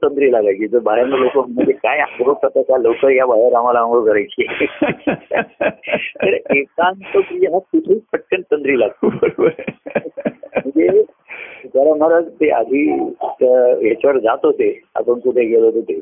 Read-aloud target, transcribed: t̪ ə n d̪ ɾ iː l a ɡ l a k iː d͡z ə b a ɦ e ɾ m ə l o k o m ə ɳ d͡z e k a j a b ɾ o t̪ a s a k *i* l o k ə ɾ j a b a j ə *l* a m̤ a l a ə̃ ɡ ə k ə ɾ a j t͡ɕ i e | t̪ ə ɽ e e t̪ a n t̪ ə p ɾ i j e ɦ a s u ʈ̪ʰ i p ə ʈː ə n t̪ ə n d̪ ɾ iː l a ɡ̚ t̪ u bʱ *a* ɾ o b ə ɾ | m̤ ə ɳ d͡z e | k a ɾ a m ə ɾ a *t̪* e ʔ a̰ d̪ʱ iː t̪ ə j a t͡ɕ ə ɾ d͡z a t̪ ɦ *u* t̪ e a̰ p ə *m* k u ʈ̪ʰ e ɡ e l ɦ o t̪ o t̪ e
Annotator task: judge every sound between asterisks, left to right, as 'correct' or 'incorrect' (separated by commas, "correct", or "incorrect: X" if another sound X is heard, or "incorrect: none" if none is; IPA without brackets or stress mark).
incorrect: a, incorrect: ɾ, incorrect: ə, correct, incorrect: o, incorrect: ɳ